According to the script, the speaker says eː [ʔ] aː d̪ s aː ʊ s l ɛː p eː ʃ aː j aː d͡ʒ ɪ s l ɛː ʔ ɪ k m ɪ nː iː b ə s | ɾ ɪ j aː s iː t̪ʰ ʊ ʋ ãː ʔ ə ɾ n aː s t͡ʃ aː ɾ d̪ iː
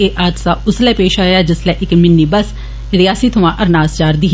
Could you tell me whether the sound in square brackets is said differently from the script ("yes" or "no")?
no